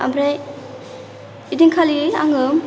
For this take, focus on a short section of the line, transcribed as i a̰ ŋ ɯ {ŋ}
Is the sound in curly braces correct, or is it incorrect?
incorrect: m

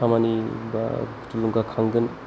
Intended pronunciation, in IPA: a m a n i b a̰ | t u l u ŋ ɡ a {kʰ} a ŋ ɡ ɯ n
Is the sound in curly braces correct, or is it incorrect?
correct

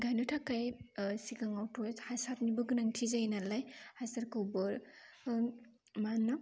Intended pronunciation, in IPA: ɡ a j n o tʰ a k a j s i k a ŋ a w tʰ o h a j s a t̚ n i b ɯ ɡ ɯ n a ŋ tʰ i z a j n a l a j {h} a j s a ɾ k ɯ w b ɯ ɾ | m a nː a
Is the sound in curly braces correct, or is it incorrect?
correct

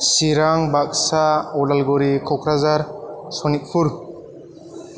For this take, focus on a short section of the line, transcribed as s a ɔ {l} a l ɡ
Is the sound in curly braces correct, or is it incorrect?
correct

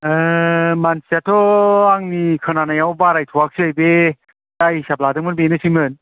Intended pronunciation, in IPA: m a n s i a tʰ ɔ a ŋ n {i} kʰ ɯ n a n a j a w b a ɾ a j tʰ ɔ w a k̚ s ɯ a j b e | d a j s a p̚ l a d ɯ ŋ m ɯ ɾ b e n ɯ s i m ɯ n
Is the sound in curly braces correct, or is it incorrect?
correct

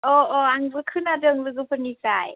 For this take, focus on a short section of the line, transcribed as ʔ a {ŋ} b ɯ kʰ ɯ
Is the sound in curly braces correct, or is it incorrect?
correct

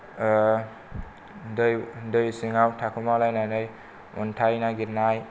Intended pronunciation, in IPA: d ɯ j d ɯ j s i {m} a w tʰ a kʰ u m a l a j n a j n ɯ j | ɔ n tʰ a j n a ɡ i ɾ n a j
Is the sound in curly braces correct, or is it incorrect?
incorrect: ŋ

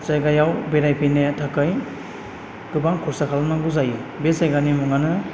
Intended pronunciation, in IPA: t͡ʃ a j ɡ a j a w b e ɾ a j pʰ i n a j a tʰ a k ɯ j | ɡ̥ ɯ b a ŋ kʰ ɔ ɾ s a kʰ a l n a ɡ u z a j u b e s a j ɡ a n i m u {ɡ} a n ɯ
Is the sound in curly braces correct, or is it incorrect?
incorrect: ŋ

